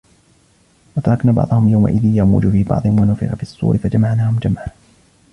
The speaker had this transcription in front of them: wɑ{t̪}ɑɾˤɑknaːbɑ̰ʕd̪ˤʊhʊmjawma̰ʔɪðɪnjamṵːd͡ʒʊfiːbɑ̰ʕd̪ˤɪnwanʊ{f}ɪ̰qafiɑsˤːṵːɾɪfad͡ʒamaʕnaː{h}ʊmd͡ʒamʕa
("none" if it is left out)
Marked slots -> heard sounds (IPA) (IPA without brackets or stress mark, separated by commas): t̪, f, h